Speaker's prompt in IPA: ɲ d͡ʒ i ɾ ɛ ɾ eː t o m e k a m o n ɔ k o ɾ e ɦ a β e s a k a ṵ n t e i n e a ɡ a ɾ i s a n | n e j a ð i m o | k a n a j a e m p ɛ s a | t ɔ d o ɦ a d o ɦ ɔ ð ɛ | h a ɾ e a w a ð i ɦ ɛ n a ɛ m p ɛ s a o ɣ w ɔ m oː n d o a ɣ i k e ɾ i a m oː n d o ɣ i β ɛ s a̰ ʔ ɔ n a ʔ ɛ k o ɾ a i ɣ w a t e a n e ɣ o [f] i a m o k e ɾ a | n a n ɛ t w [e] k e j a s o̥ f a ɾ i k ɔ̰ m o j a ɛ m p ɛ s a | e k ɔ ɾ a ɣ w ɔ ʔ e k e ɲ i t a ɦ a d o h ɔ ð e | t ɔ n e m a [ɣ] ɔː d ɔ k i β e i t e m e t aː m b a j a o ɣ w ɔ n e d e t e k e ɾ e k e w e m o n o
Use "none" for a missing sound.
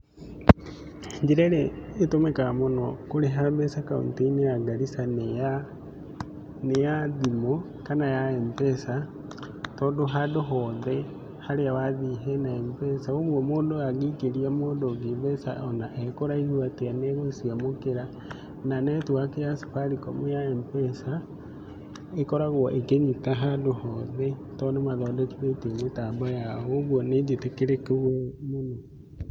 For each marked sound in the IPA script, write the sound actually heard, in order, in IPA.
s, a, ð

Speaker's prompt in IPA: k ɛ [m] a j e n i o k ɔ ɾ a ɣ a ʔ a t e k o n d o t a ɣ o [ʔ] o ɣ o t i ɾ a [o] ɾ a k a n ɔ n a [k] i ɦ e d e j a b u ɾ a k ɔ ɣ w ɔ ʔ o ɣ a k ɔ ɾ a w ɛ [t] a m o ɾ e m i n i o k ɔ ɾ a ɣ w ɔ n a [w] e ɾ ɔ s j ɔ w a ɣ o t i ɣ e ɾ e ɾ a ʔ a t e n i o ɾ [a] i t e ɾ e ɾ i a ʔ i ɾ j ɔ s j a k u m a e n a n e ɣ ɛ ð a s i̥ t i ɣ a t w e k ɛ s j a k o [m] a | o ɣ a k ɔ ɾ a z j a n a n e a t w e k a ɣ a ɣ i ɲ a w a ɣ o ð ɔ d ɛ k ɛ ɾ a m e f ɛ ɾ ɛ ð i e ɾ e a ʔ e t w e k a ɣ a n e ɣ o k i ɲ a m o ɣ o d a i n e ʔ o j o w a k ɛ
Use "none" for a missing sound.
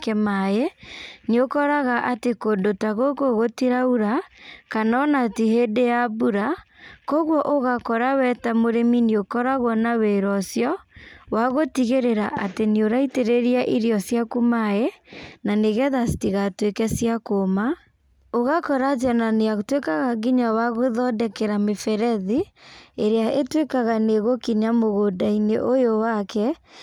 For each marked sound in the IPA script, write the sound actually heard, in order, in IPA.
m, k, u, t, t, w, a, m

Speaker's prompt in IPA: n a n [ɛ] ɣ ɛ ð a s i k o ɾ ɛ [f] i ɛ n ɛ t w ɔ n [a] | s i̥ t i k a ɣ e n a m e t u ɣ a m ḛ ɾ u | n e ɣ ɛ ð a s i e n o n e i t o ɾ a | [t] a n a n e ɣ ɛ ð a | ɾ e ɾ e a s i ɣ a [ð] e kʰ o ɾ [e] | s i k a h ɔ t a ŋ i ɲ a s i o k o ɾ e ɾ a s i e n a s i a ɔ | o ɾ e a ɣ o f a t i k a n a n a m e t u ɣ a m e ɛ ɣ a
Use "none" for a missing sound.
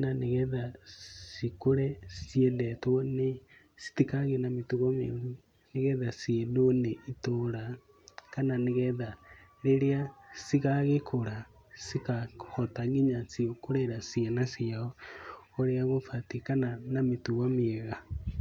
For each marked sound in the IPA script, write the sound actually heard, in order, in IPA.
e, s, e, k, ɣ, a

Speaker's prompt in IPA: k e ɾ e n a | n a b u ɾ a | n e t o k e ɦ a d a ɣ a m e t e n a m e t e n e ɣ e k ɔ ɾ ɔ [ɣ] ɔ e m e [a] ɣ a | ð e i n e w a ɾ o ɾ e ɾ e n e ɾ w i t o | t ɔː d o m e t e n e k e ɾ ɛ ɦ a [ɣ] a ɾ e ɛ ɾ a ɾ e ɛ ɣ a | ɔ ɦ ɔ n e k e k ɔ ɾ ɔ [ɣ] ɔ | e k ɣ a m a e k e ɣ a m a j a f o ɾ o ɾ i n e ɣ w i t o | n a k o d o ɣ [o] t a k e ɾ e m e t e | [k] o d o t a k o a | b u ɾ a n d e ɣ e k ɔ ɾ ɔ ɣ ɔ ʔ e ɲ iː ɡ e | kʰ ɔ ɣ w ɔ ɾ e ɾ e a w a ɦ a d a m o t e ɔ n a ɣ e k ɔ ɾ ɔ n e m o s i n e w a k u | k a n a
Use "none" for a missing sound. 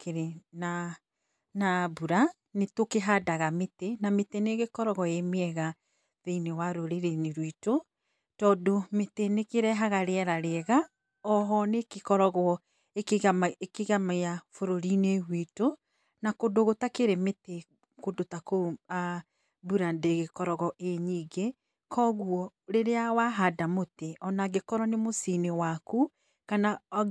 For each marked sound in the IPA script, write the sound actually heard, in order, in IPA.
ɣ, ɛ, ɣ, ɣ, o, k

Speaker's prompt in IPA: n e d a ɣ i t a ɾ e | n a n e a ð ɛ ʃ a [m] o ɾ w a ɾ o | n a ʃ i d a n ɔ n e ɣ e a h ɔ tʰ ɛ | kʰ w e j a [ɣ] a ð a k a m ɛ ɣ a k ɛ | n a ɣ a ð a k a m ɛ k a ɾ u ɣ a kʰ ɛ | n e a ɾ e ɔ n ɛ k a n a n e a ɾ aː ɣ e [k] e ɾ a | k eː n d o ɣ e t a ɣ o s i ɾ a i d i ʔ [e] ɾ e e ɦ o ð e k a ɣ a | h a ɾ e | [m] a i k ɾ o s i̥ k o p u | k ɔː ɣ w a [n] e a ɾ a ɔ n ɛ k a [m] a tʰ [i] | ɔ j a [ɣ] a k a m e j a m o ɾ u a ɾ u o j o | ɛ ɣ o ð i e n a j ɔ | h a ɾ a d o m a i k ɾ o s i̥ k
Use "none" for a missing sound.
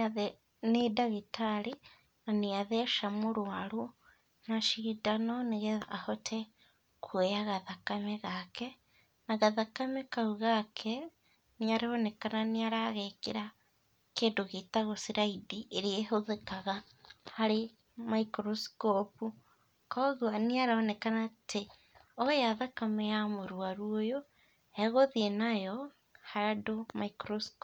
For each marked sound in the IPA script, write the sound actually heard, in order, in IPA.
m, ɣ, k, e, m, n, n, e, ð

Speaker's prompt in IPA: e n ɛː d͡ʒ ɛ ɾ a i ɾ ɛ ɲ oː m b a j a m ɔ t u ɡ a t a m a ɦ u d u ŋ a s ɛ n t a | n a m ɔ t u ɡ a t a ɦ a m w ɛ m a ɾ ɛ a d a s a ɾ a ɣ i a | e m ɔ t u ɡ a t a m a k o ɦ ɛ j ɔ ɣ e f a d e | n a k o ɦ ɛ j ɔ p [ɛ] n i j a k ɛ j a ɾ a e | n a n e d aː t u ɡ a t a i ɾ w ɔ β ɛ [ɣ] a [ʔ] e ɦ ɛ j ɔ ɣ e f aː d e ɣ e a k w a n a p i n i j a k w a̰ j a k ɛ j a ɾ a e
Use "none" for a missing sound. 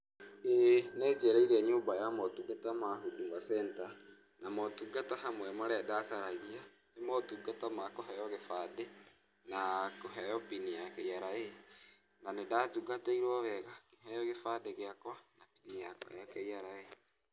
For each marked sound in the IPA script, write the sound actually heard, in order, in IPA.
i, ɣ, k

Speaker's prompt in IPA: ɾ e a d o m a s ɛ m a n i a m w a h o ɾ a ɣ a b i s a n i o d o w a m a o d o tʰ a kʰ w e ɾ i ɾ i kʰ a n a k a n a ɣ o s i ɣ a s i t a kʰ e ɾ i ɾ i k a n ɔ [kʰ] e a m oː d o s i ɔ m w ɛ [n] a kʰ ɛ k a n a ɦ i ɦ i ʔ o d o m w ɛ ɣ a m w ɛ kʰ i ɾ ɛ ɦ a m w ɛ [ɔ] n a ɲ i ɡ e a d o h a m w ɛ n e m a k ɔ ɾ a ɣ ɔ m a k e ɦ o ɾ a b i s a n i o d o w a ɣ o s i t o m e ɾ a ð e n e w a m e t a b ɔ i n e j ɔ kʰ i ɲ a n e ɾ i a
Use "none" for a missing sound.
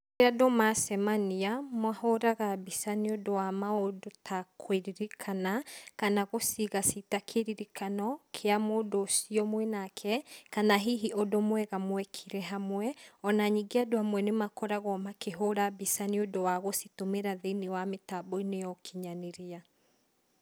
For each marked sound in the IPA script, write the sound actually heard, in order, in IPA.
kʰ, n, ɔ

